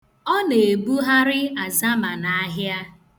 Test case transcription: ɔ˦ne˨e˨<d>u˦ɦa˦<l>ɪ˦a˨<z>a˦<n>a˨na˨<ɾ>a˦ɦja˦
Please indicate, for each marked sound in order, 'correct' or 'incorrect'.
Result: incorrect: b, incorrect: ɾ, correct, incorrect: m, incorrect: none

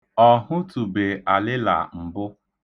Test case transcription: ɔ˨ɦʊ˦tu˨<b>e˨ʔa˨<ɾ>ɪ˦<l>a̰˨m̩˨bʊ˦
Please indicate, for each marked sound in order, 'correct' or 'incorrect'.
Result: correct, incorrect: l, correct

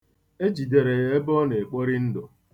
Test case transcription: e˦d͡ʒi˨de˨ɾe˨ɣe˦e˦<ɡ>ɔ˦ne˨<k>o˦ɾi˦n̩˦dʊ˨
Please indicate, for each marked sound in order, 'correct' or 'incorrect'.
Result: incorrect: b, incorrect: k͡p

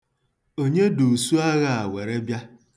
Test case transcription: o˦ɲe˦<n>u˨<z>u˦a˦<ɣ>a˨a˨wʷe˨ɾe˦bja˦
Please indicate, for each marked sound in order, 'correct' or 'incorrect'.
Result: incorrect: d, incorrect: s, correct

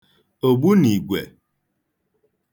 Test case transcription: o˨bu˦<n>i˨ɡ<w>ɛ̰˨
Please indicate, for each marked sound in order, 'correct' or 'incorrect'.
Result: correct, correct

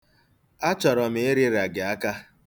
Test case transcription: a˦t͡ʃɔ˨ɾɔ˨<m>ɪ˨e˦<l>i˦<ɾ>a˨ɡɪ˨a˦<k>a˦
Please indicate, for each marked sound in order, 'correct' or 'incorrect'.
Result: correct, incorrect: ɾ, correct, correct

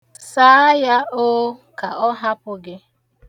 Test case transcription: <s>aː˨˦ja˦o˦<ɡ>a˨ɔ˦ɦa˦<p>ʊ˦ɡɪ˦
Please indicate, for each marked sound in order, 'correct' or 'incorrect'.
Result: correct, incorrect: k, correct

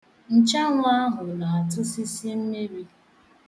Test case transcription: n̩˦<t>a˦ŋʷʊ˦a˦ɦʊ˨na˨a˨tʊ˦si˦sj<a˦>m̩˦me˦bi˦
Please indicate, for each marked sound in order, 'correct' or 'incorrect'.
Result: incorrect: t͡ʃ, incorrect: e˦

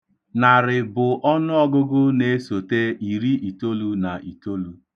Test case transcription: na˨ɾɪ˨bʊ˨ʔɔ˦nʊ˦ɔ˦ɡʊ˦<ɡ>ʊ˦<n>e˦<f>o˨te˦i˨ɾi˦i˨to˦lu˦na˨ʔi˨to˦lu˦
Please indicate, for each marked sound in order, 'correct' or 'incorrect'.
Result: correct, correct, incorrect: s

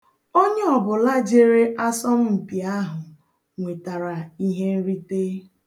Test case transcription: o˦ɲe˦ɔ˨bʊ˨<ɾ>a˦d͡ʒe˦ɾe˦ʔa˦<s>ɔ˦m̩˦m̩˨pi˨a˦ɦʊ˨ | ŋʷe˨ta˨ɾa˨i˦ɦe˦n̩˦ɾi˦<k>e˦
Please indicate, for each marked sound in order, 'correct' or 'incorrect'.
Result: incorrect: l, correct, incorrect: t

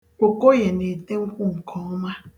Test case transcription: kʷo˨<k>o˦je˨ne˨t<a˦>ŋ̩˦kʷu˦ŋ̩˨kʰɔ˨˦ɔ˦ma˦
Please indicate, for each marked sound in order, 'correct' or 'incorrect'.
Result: correct, incorrect: e˦

